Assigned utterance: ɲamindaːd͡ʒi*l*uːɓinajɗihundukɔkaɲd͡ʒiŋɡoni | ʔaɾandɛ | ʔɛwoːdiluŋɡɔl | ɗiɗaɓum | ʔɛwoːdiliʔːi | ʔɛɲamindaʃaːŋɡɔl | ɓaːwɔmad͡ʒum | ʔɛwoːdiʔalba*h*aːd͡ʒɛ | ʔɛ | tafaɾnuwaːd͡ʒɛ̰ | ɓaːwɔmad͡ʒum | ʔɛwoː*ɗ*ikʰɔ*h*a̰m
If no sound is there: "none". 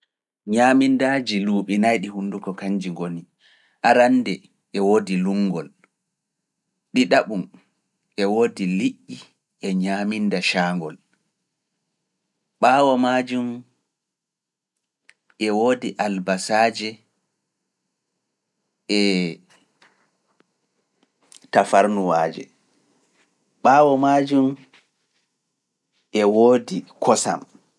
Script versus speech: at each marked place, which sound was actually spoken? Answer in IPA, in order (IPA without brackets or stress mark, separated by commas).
l, s, d, s